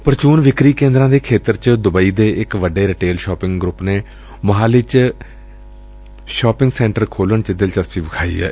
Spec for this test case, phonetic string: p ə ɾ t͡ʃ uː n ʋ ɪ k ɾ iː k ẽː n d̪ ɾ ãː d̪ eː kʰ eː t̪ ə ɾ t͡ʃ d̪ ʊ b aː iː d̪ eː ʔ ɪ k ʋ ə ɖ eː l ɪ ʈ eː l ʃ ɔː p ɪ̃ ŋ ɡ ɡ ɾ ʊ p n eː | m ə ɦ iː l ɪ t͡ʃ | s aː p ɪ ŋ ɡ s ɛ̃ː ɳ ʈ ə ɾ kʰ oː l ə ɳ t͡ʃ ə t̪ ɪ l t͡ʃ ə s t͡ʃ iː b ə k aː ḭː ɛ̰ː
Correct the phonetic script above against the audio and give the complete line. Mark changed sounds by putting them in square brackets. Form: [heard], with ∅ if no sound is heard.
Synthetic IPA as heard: p ə ɾ t͡ʃ uː n ʋ ɪ k ɾ iː k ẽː n d̪ ɾ ãː d̪ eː kʰ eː t̪ ə ɾ t͡ʃ d̪ ʊ b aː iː d̪ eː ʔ ɪ k ʋ ə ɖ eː [ɾ] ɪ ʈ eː l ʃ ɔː p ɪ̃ ŋ ɡ ɡ ɾ ʊ p n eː | m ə ɦ [aː] l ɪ t͡ʃ | [ʃ] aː p ɪ ŋ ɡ s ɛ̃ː ɳ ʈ ə ɾ kʰ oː l ə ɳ t͡ʃ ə [d̪] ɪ l t͡ʃ ə s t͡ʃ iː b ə [kʰ] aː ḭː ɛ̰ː